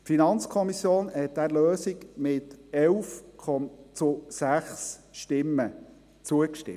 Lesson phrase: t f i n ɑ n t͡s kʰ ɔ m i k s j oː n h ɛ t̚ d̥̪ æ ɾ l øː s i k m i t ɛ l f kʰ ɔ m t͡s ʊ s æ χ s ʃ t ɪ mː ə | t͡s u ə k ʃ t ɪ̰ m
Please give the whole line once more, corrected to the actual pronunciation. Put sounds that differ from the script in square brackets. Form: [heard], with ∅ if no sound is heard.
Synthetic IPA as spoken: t f i n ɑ n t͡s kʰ ɔ m i [∅] s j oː n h ɛ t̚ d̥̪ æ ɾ l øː s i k m [ɪ] t ɛ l f kʰ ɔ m t͡s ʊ s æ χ s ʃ t ɪ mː ə | t͡s u ə k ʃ t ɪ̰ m